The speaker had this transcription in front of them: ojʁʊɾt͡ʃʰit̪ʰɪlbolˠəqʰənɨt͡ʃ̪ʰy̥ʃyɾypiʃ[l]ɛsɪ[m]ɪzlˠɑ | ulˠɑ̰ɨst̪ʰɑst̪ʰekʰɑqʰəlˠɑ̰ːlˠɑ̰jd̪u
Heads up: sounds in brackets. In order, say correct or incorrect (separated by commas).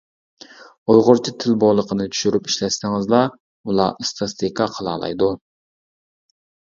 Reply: correct, incorrect